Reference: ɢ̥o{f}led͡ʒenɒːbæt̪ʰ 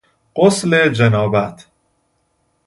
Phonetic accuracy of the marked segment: incorrect: s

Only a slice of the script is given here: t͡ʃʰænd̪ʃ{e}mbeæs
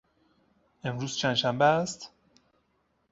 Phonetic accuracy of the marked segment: incorrect: æ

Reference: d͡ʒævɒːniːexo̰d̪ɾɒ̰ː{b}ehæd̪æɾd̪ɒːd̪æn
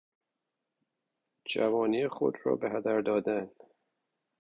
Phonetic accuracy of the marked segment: correct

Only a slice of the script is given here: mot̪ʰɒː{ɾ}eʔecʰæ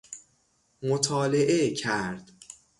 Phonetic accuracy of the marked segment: incorrect: l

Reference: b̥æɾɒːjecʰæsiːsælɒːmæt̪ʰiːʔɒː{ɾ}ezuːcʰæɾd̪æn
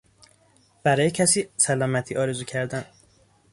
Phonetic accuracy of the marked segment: correct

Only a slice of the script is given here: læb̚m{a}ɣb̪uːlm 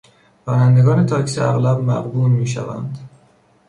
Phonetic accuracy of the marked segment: incorrect: æ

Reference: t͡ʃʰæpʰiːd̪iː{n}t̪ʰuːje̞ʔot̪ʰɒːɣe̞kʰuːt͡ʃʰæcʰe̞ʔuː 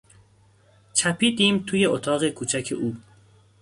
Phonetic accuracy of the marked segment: incorrect: m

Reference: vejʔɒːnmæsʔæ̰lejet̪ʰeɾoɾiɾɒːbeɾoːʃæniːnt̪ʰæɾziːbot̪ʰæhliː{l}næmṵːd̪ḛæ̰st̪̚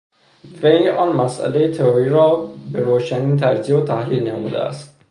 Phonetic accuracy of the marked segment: correct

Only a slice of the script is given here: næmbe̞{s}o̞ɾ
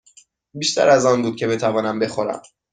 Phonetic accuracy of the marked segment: incorrect: x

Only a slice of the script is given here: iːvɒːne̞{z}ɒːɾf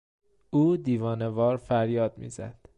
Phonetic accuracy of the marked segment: incorrect: v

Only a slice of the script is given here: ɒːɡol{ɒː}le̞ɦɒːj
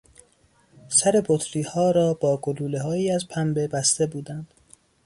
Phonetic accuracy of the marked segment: incorrect: uː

